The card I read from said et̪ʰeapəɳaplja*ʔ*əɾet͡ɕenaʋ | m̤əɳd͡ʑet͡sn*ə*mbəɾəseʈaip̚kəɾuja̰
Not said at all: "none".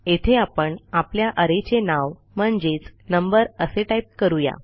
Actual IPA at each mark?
ʔ, ə

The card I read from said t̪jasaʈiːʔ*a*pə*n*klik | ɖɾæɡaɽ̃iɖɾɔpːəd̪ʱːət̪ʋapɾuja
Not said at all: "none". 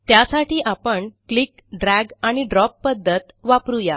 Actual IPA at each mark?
a, ɳ

